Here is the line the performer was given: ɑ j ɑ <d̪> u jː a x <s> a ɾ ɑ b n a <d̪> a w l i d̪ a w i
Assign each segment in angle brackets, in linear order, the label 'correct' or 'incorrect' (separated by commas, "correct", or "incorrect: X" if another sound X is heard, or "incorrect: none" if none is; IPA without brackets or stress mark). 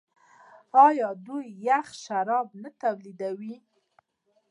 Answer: correct, incorrect: ʃ, incorrect: t̪